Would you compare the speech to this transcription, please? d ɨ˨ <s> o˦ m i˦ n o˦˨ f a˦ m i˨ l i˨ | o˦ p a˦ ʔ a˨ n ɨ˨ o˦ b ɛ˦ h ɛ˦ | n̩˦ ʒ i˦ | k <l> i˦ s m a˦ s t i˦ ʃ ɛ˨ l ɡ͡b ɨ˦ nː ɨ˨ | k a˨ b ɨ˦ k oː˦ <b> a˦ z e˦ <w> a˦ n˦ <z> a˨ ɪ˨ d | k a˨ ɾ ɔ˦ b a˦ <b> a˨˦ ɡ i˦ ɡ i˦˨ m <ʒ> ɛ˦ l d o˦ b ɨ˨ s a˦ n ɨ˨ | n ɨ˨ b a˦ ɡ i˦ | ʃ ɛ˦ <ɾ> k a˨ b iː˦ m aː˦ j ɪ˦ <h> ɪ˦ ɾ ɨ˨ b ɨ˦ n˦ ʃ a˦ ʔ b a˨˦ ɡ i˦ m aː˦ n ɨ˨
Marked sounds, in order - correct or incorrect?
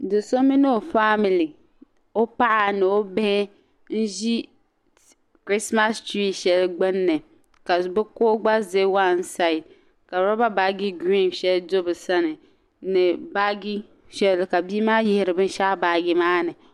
correct, incorrect: ɾ, incorrect: ɡ͡b, correct, incorrect: s, correct, incorrect: ʃ, incorrect: l, correct

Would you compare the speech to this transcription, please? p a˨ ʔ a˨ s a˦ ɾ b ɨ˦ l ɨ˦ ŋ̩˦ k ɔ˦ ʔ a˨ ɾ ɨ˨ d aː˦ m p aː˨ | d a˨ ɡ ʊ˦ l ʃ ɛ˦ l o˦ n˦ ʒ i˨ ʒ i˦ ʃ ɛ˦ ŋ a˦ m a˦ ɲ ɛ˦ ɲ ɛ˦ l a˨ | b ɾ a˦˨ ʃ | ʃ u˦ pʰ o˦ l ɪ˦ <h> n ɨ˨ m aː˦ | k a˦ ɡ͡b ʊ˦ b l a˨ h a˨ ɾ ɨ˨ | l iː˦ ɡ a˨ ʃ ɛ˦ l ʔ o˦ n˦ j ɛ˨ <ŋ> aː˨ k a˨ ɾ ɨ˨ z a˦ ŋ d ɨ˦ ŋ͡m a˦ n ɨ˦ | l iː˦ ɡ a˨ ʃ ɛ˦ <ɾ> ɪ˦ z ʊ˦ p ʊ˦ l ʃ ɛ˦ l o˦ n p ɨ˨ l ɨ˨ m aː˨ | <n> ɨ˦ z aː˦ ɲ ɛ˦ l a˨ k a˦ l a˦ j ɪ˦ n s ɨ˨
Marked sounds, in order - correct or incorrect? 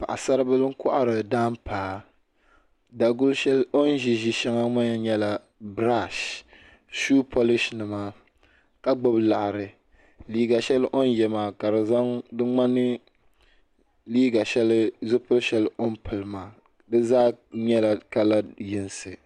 incorrect: ʃ, incorrect: m, incorrect: l, incorrect: d

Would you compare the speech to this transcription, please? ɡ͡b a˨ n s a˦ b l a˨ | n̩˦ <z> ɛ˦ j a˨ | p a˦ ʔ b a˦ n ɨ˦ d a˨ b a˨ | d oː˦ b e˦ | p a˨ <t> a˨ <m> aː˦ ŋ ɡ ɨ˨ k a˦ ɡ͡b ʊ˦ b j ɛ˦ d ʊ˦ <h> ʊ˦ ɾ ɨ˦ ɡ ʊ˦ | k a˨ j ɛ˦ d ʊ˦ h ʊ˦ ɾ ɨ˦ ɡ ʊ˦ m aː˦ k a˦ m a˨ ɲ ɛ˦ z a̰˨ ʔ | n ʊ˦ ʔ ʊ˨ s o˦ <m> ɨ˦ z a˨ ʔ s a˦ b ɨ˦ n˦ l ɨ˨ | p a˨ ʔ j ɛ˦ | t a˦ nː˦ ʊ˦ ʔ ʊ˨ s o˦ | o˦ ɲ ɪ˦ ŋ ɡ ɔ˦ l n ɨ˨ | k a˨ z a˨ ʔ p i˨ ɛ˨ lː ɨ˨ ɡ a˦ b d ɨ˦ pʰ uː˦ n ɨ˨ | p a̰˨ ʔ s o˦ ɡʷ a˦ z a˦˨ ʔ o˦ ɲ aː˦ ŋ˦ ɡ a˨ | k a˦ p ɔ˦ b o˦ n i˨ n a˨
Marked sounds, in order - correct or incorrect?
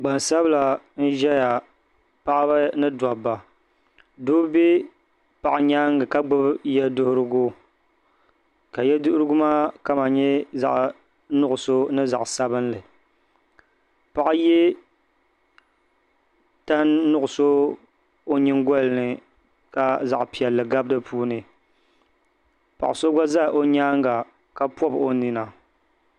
incorrect: ʒ, incorrect: ʔ, incorrect: ɲ, correct, incorrect: n

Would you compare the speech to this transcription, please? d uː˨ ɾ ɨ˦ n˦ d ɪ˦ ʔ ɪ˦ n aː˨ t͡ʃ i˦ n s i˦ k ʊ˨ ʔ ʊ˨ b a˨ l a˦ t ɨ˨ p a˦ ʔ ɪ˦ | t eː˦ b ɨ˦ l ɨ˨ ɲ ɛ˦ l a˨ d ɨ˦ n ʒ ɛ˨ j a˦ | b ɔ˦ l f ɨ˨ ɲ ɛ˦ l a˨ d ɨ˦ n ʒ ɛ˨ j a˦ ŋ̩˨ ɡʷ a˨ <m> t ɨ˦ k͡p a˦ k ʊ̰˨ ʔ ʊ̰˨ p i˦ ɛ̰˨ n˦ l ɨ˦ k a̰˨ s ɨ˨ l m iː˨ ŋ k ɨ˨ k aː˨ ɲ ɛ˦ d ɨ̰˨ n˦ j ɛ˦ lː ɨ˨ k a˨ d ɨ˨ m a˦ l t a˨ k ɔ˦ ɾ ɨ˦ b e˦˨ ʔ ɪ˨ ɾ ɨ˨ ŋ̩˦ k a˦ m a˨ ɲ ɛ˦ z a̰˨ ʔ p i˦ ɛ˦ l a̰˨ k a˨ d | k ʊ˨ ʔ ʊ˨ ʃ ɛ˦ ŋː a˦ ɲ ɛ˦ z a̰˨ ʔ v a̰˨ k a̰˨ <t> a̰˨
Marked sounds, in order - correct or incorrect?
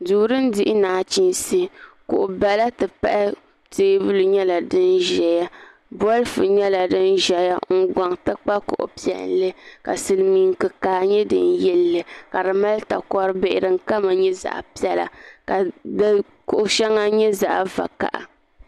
incorrect: ŋ, incorrect: ʔ

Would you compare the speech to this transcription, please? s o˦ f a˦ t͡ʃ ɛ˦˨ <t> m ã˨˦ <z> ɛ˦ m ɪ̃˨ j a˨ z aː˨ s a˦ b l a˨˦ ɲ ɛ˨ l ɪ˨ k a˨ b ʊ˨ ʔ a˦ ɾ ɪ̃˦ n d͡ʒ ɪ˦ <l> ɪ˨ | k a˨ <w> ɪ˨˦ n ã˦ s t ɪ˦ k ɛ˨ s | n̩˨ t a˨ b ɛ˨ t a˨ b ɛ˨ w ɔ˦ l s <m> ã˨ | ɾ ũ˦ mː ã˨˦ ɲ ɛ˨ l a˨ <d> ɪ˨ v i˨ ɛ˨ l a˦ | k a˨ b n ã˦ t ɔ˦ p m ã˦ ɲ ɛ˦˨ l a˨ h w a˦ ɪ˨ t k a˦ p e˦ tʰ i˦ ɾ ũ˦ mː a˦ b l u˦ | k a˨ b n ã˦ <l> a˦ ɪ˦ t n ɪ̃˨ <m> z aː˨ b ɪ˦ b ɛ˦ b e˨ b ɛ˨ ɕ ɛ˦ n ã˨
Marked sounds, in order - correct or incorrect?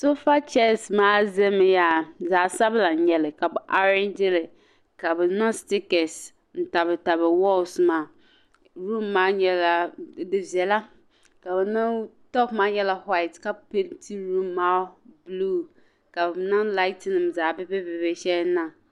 incorrect: s, correct, correct, incorrect: b, correct, correct, correct, correct

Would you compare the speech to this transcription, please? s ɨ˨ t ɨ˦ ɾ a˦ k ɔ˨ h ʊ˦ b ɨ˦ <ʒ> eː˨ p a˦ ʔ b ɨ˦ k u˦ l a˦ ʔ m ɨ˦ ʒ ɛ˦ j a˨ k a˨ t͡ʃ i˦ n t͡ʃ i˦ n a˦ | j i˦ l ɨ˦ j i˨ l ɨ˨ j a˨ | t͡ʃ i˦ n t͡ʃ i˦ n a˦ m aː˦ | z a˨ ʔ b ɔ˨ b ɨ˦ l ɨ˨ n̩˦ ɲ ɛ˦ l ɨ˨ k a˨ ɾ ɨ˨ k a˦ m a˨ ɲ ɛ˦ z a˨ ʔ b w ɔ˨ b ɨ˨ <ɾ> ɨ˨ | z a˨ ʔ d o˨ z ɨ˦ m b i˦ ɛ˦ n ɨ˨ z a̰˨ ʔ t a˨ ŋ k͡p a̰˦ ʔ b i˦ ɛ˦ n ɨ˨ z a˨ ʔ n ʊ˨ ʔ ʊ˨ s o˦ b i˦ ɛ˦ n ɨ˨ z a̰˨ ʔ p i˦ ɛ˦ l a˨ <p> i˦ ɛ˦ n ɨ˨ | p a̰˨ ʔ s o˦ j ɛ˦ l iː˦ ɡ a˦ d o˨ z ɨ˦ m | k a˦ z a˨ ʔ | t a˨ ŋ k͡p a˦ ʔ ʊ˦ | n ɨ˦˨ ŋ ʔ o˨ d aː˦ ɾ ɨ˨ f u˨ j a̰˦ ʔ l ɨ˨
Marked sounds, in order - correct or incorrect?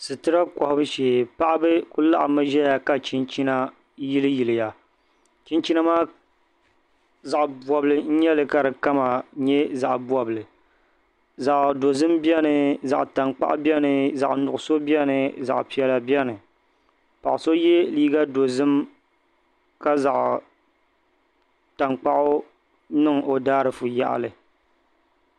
incorrect: ʃ, incorrect: l, incorrect: b

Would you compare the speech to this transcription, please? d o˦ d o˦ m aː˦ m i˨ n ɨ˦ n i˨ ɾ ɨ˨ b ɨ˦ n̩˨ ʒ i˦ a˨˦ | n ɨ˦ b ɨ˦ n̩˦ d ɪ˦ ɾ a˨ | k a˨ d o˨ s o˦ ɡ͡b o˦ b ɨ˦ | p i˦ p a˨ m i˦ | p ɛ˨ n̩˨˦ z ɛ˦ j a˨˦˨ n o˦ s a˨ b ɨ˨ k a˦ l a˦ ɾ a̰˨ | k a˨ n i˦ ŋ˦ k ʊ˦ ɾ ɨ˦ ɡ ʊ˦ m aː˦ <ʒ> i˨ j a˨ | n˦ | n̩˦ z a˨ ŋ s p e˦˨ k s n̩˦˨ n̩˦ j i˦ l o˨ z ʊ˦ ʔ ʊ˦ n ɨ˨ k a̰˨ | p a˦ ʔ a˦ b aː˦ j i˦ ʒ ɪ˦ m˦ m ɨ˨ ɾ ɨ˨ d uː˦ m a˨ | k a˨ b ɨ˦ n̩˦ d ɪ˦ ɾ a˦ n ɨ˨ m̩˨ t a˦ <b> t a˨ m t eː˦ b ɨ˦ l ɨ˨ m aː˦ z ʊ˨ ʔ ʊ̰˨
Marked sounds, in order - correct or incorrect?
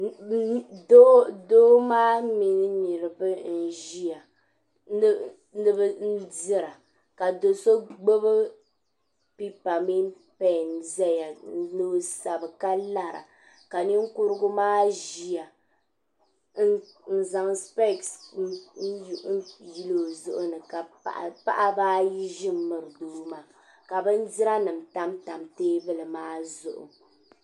correct, incorrect: m

